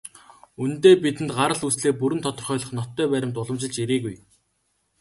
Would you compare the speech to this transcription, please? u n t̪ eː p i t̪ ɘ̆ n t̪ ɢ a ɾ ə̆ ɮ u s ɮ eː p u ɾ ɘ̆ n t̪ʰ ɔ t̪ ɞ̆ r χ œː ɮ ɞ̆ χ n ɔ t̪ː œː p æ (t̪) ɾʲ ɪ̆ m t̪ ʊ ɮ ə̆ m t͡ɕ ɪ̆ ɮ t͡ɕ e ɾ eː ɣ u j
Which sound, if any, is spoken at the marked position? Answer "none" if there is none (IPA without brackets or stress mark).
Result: none